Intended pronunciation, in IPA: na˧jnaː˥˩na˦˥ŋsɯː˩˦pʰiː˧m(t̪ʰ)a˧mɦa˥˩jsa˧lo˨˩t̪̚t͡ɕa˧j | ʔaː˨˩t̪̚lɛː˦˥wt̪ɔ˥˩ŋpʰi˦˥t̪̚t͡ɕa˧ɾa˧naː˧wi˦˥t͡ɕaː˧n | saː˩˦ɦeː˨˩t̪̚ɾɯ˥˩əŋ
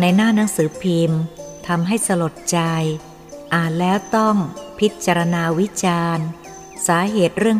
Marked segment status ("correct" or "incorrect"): correct